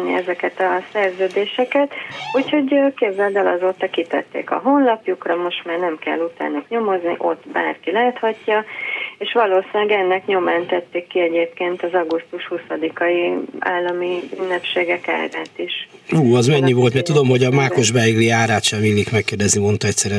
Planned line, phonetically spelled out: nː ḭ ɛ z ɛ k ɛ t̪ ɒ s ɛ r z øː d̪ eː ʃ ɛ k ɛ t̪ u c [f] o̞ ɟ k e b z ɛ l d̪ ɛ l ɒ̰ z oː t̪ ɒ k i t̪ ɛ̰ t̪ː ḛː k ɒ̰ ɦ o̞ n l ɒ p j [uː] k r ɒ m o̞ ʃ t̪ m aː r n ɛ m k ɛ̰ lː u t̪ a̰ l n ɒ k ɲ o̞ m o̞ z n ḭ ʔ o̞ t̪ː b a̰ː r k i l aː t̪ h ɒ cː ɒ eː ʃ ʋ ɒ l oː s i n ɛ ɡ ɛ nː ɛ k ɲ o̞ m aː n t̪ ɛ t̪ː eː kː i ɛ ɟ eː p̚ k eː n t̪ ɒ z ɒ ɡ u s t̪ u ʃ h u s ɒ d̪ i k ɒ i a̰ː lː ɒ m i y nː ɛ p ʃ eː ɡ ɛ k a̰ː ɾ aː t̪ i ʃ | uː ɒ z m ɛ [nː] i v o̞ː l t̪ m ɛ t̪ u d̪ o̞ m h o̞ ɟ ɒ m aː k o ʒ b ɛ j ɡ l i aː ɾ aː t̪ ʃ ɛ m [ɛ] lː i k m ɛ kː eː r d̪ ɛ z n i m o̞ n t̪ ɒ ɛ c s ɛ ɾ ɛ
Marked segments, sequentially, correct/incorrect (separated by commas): incorrect, incorrect, incorrect, incorrect